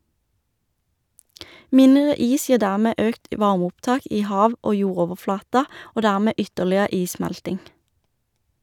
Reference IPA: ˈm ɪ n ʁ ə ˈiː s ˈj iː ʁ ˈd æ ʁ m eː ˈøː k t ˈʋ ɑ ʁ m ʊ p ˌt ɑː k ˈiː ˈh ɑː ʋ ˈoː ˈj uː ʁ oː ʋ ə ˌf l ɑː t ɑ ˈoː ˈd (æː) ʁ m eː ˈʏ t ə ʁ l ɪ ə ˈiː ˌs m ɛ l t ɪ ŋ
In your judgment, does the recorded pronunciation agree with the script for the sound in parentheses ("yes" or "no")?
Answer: no